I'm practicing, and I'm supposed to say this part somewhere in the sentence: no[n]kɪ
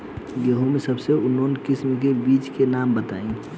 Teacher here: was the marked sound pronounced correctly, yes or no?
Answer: yes